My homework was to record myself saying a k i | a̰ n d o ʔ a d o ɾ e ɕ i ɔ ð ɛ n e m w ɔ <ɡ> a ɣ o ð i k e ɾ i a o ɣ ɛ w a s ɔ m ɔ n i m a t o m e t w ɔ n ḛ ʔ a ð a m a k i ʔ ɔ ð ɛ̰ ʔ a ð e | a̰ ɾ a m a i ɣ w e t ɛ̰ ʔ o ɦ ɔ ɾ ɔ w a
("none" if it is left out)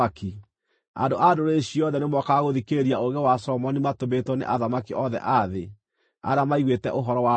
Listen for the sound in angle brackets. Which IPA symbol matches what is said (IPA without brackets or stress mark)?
k